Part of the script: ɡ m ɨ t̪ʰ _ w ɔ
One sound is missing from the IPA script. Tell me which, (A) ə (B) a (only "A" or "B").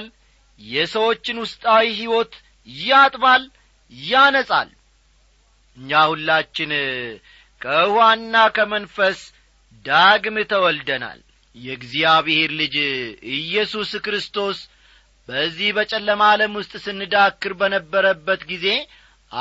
A